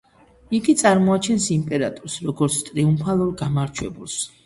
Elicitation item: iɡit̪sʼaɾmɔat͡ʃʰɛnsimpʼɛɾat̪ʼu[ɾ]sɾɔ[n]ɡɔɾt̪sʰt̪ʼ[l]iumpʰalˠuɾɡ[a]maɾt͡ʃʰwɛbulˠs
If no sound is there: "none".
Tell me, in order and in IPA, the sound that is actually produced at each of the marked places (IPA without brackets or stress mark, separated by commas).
ɾ, none, ɾ, a